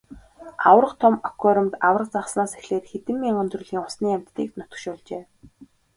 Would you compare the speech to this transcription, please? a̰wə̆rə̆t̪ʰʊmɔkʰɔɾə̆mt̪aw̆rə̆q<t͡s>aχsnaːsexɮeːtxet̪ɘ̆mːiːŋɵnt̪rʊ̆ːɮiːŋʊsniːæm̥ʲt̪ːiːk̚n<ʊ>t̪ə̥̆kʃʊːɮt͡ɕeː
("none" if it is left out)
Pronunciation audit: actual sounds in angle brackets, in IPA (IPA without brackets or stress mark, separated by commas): t͡s, ʊ